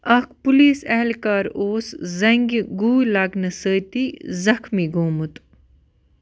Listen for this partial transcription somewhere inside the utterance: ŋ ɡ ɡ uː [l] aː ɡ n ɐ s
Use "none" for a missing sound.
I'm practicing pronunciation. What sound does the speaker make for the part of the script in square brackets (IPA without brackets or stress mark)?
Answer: l